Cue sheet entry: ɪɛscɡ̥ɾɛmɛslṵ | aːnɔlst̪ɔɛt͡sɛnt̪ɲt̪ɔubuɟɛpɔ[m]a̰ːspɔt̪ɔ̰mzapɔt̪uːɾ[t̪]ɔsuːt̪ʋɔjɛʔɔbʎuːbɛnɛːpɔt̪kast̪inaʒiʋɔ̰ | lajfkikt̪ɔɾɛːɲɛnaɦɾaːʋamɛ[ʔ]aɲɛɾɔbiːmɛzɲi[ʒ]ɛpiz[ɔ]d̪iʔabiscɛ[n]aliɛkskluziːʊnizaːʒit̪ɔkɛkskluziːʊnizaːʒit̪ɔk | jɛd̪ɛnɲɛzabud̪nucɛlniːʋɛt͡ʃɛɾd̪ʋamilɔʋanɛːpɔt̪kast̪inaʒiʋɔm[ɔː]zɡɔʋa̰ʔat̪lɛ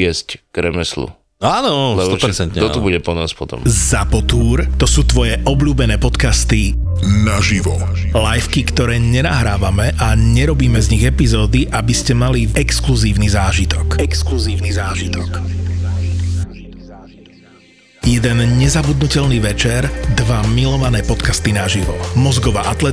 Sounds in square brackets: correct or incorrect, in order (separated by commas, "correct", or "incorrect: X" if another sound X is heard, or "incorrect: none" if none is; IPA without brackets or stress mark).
incorrect: n, correct, correct, incorrect: ɣ, incorrect: ɔː, incorrect: m, incorrect: ɔ